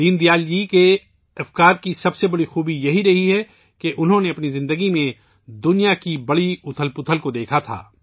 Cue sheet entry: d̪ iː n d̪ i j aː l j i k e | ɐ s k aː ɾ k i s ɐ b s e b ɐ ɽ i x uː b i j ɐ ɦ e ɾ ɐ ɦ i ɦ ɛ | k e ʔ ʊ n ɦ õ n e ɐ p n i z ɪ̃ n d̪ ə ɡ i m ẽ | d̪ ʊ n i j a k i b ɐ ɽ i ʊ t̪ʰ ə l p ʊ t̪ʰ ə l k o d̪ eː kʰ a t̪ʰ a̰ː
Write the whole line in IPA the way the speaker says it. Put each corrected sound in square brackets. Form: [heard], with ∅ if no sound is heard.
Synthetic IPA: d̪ iː n d̪ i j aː l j i k e | ɐ [f] k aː ɾ k i s ɐ b s e b ɐ ɽ i x uː b i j ɐ ɦ [i] ɾ ɐ ɦ i ɦ ɛ | k e ʔ ʊ n ɦ õ n e ɐ p n i z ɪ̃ n d̪ ə ɡ i m ẽ | d̪ ʊ n i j a k i b ɐ ɽ i ʊ t̪ʰ ə l p ʊ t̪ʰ ə l k o d̪ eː kʰ a t̪ʰ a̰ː